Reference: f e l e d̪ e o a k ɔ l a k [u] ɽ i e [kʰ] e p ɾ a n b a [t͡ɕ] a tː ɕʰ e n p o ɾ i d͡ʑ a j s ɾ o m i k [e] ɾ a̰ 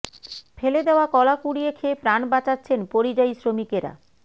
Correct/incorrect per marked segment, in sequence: correct, correct, correct, correct

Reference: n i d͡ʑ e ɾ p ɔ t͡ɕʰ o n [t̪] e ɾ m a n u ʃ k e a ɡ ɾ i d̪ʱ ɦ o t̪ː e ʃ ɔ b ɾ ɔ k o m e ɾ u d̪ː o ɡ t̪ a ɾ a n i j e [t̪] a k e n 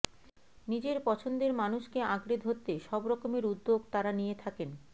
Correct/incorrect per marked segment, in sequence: incorrect, incorrect

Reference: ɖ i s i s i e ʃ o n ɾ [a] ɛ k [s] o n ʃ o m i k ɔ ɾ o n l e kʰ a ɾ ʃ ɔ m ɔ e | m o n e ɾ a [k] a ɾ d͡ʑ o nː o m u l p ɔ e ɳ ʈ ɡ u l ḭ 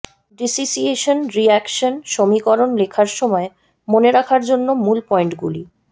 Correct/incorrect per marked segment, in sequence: incorrect, incorrect, incorrect

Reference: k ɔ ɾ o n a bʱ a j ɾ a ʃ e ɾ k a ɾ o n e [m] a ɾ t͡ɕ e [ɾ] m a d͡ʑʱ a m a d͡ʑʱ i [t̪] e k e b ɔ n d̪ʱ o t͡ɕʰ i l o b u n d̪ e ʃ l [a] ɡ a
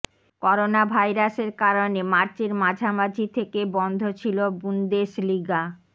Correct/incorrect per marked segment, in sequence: correct, correct, incorrect, incorrect

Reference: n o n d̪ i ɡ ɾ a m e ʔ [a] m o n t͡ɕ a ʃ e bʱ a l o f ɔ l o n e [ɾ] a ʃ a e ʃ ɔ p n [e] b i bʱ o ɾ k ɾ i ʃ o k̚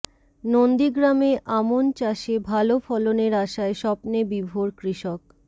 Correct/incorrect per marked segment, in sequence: correct, correct, correct

